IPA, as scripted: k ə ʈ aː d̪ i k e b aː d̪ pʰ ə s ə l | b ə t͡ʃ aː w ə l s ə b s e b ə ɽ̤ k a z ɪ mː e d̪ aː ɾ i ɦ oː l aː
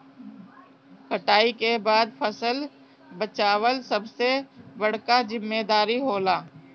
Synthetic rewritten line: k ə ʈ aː i k e b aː d̪ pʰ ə s ə l | b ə t͡ʃ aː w ə l s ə b s e b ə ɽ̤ k a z ɪ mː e d̪ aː ɾ i ɦ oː l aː